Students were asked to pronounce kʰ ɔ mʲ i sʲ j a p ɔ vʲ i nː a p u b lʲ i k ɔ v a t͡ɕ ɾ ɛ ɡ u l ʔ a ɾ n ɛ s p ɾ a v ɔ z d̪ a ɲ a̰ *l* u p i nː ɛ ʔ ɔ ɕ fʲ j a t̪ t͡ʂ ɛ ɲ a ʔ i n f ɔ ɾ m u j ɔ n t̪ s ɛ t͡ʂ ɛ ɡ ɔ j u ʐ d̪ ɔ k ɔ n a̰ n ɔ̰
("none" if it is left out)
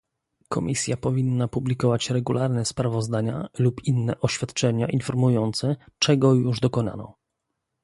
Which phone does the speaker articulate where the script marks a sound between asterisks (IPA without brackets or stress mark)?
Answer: l